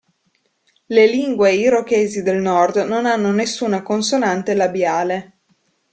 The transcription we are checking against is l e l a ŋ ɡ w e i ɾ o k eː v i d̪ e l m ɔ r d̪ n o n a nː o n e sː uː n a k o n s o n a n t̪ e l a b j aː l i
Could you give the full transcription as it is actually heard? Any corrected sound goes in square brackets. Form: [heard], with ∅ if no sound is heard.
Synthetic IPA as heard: l e l [i] ŋ ɡ w e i ɾ o k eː [z] i d̪ e l [n] ɔ r d̪ n o n a nː o n e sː uː n a k o n s o n a n t̪ e l a b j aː l [e]